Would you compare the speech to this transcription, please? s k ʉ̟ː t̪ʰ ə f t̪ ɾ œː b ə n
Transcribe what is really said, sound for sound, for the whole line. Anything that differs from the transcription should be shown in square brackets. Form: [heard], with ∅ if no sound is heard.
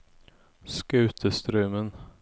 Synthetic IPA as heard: s k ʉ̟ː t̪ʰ ə [s] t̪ ɾ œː [m] ə n